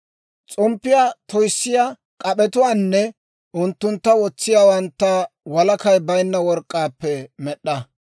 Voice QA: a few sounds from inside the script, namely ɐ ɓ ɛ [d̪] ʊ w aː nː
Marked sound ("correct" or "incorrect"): incorrect